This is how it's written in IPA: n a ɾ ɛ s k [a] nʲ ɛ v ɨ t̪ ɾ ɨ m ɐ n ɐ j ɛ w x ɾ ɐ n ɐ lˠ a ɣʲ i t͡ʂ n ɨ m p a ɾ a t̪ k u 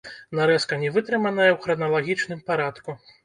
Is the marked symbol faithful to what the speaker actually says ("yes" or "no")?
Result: no